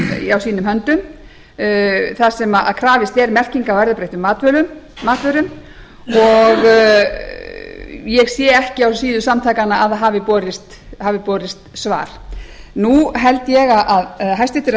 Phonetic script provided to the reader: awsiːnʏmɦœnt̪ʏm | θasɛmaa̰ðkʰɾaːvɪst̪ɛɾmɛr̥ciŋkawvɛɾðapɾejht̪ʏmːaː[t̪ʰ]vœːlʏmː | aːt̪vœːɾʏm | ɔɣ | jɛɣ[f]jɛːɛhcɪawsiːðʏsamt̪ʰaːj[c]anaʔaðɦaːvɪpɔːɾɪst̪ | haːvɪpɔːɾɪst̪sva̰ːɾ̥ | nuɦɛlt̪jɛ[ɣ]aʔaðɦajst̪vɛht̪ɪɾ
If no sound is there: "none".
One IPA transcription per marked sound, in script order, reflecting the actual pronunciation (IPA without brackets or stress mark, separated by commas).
t̪, s, k, ɣ